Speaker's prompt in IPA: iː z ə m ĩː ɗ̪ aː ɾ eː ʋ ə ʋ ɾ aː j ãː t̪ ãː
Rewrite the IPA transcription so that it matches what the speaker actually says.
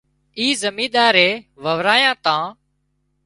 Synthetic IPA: iː z ə m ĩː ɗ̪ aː ɾ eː ʋ ə ʋ ɾ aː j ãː t̪ ãː